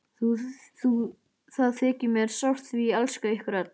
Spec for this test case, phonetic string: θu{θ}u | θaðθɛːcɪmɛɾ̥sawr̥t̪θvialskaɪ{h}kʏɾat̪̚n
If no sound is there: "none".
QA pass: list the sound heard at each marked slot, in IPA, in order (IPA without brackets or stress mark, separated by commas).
θ, h